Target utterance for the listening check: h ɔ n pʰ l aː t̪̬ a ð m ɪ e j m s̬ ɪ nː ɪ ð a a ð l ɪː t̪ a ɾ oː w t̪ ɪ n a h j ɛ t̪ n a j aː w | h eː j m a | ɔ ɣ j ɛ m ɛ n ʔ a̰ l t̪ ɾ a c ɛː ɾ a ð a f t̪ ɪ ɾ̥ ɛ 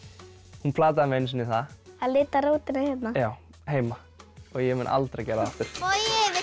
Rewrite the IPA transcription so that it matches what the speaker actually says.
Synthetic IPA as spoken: h u n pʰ l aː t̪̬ a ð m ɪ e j n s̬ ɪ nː ɪ θ a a ð l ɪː t̪ a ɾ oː w t̪ ɪ n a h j ɛ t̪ n a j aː w | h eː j m a | ɔ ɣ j ɛ m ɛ n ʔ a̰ l t̪ ɾ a c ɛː ɾ a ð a f t̪ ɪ ɾ̥ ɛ

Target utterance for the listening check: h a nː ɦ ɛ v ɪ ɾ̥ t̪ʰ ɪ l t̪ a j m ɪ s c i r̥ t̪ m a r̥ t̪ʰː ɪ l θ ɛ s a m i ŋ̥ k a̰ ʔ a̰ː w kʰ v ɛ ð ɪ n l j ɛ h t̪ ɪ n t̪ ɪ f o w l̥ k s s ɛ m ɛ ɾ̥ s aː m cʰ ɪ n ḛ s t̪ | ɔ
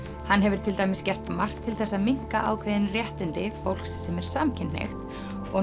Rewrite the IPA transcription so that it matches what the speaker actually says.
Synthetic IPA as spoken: h a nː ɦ ɛ v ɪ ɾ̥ t̪ʰ ɪ l t̪ a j m ɪ s c ɛ r̥ t̪ m a r̥ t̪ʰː ɪ l θ ɛ sː a m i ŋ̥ k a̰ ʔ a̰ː w kʰ v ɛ ð ɪ n r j ɛ h t̪ ɪ n t̪ ɪ f o w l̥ k s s ɛ m ɛ ɾ̥ s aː m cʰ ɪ n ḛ x t̪ | ɔ

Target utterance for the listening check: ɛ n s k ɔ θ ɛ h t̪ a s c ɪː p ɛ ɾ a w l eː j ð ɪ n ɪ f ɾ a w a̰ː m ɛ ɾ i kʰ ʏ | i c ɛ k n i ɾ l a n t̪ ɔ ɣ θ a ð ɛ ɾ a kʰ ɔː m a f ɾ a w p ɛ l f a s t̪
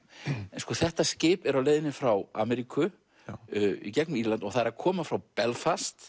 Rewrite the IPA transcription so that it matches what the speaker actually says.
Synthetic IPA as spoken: ɛ n s k ɔ θ ɛ h t̪ a s c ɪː p ɛ ɾ a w l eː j ð ɪ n ɪ f ɾ a w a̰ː m ɛ ɾ i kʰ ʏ | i c ɛ k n i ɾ l a n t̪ ɔ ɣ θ a ð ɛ ɾ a kʰ ɔː m a f ɾ a w p ɛ l f a s t̪

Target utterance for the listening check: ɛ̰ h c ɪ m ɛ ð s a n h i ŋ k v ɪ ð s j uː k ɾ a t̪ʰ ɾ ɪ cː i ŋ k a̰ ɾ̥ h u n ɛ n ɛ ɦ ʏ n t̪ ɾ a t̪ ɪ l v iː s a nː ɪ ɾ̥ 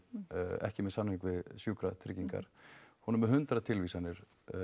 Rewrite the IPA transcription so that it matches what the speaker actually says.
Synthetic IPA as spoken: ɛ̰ h c ɪ m ɛ ð s a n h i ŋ k v ɪ ð s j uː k ɾ a t̪ʰ ɾ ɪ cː i ŋ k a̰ ɾ̥ h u n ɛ m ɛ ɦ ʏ n t̪ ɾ a t̪ʰ ɪ l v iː s a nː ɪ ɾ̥

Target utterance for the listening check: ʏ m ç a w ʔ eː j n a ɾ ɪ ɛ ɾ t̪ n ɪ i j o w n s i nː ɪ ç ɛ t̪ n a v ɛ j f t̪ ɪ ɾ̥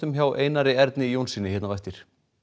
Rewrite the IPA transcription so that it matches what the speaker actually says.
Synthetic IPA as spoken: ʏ m ç a w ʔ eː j n a ɾ ɪ ɛ ɾ t̪ n ɪ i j o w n s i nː ɪ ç ɛ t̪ n a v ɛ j f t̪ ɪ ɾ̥

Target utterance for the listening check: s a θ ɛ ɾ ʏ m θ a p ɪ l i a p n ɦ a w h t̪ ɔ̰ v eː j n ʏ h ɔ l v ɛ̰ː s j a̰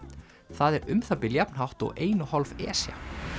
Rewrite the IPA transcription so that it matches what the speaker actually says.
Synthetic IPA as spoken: θ a ð ɛ ɾ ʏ m θ a p ɪ l j a p n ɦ a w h t̪ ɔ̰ ɣ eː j n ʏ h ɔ l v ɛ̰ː s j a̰

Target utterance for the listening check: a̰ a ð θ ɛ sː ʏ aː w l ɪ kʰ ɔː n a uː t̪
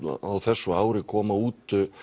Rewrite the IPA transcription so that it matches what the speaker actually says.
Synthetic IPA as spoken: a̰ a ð θ ɛ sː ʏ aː w ɾ ɪ kʰ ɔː m a uː t̪

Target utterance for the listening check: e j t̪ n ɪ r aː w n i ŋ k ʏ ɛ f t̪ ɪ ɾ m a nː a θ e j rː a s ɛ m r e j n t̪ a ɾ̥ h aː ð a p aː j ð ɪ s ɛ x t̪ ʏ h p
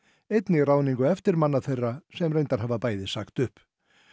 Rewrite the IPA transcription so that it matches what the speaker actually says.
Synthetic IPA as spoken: e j t̪ n ɪ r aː w n i ŋ k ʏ ɛ f t̪ ɪ ɾ m a nː a θ e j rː a s ɛ m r e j n t̪ a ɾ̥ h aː v a p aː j ð ɪ s a x t̪ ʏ h p

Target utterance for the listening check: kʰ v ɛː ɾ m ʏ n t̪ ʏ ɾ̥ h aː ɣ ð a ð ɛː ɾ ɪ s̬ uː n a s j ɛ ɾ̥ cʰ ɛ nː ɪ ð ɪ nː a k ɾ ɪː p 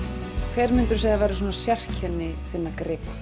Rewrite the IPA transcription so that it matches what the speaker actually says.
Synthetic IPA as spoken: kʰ v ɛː ɾ m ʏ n t̪ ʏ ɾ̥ s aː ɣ ð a v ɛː ɾ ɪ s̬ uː n a s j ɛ r̥ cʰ ɛ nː ɪ θ ɪ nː a k ɾ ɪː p

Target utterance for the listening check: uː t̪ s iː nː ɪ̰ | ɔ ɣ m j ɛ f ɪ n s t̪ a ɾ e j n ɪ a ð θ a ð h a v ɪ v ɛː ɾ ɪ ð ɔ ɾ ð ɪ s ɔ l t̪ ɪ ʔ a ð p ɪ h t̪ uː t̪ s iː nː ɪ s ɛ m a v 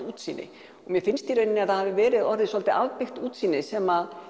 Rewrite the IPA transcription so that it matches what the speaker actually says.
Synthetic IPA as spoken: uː t̪ s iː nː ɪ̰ | ɔ ɣ m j ɛ f ɪ n s t̪ i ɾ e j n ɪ a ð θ a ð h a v ɪ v ɛː ɾ ɪ ð ɔ ɾ ð ɪ s ɔ l t̪ ɪ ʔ a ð p ɪ x t̪ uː t̪ s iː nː ɪ s ɛ m a ð

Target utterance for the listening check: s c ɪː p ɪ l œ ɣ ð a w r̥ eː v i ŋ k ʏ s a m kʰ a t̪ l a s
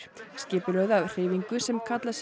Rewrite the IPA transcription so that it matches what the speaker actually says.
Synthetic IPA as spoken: s c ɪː p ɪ l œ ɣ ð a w r̥ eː v i ŋ k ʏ s ɛ m kʰ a t̪ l a s

